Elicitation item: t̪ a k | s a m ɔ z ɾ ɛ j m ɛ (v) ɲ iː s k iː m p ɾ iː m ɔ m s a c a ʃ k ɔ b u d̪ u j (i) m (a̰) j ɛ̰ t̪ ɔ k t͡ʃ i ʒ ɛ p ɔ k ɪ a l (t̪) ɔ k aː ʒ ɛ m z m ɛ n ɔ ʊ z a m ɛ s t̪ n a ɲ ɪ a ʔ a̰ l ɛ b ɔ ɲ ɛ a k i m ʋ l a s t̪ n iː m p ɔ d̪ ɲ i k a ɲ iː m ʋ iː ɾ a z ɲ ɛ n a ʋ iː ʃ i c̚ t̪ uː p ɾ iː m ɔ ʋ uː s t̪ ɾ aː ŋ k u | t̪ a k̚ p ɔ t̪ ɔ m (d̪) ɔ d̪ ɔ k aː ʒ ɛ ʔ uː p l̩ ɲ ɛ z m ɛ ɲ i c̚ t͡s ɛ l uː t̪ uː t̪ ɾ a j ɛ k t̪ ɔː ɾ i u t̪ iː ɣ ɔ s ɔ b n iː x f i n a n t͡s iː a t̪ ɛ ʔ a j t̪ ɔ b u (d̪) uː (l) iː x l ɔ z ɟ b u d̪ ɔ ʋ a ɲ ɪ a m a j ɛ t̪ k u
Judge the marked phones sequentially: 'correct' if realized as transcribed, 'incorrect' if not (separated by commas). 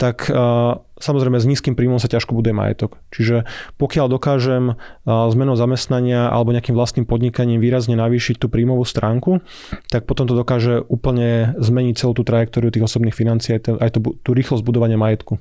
incorrect, incorrect, correct, incorrect, incorrect, incorrect, incorrect